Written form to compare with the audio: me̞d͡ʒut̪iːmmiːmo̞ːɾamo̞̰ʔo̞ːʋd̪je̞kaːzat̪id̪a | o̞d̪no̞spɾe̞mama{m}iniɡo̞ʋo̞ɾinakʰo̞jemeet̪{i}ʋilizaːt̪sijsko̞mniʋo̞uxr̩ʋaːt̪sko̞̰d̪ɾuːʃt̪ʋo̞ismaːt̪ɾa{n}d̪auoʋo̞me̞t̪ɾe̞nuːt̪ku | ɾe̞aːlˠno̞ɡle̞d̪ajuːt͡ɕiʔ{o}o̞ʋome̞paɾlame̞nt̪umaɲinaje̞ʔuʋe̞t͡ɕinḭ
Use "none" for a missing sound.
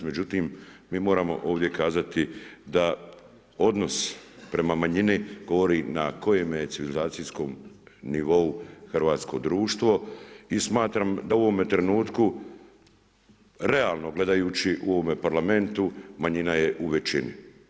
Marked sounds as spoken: ɲ, i, m, u

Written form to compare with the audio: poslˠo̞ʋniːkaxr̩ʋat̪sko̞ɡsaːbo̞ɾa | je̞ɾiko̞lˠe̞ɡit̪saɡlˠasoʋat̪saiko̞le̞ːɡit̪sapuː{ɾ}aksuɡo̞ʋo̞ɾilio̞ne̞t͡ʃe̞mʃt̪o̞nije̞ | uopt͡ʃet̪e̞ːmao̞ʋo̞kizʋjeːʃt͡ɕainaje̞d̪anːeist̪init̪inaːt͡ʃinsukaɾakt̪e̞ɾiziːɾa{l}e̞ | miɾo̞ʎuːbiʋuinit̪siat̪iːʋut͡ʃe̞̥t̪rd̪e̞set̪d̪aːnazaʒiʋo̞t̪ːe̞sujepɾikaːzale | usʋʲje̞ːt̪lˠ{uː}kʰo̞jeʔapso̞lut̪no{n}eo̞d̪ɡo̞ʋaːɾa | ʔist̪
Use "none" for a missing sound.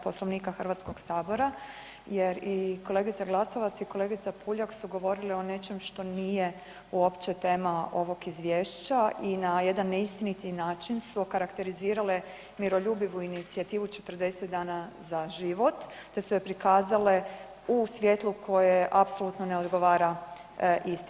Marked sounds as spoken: ʎ, l, u, n

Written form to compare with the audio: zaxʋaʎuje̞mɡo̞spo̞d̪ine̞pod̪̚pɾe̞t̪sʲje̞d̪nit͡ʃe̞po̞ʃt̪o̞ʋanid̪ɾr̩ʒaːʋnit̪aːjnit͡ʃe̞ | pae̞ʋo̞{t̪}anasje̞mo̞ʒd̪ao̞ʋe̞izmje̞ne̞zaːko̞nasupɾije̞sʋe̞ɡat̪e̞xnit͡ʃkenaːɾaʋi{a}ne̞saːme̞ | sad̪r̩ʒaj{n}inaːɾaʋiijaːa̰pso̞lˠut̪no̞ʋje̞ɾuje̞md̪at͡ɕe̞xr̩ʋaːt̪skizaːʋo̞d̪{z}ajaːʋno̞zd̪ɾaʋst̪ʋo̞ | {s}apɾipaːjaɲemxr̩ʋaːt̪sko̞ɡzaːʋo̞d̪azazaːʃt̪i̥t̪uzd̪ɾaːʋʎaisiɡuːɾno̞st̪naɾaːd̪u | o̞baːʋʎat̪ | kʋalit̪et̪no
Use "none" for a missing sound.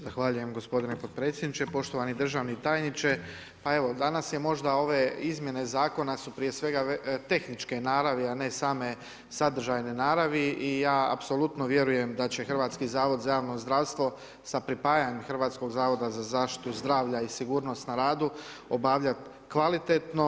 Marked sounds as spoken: d̪, a, n, z, s

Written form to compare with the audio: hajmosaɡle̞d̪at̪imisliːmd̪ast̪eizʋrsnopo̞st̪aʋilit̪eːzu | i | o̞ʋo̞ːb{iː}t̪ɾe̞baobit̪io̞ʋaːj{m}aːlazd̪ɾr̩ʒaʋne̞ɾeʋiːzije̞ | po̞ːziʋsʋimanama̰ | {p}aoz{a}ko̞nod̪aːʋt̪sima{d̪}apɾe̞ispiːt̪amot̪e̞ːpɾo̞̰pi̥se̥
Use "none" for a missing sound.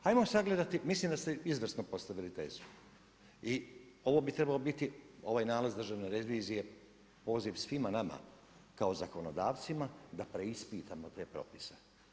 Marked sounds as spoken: i, n, k, a, d̪

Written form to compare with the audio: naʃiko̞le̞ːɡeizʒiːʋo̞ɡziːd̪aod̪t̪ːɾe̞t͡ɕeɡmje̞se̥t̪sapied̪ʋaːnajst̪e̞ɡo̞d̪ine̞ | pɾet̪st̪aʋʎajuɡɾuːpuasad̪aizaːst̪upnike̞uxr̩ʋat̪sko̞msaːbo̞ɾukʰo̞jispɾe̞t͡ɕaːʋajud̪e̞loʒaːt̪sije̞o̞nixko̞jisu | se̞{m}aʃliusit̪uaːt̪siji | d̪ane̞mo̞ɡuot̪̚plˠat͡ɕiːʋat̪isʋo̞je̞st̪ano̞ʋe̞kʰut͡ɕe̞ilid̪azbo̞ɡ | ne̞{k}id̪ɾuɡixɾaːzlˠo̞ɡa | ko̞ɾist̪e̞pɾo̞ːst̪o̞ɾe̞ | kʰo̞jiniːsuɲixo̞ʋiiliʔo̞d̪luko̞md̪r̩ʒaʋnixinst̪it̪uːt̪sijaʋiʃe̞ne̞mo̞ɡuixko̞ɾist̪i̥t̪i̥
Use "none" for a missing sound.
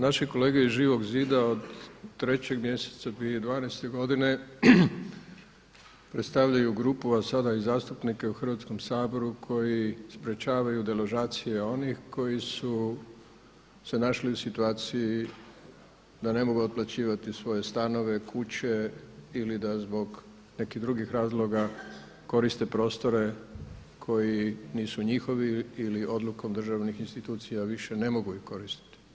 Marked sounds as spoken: n, k

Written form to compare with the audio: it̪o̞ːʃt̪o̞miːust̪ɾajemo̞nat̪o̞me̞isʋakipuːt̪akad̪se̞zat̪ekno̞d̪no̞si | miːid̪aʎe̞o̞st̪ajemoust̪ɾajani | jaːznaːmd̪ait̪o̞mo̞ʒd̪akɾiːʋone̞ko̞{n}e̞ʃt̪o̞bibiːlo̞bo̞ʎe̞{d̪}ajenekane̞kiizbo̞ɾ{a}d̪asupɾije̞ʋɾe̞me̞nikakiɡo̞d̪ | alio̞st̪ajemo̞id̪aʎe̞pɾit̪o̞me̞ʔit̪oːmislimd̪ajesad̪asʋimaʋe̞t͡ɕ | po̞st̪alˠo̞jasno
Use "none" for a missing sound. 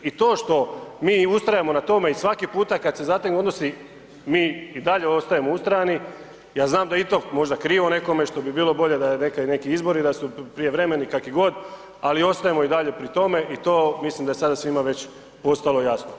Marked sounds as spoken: m, d̪, i

